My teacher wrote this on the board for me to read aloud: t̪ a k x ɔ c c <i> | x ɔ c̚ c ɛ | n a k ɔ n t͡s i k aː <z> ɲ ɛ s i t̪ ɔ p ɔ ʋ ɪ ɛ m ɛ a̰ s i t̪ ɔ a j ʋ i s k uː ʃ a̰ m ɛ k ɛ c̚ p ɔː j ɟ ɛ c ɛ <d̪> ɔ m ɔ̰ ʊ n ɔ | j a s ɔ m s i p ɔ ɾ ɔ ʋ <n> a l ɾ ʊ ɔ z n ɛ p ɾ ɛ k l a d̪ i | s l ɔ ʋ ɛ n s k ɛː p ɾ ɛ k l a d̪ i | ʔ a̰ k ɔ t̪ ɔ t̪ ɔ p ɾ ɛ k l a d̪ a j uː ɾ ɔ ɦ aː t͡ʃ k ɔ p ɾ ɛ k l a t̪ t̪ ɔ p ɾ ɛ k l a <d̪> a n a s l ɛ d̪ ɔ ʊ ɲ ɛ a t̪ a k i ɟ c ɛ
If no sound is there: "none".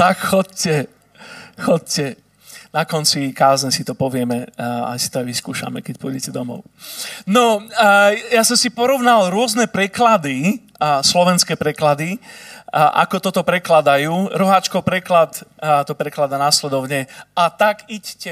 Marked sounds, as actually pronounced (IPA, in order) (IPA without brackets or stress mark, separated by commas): ɛ, z, d̪, n, d̪